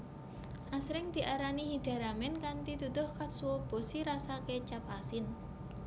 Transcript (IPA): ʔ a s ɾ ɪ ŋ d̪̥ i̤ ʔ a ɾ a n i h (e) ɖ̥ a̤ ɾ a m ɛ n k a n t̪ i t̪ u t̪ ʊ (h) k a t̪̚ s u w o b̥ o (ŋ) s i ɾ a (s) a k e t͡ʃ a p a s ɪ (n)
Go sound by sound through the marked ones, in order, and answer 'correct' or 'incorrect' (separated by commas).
incorrect, correct, incorrect, correct, correct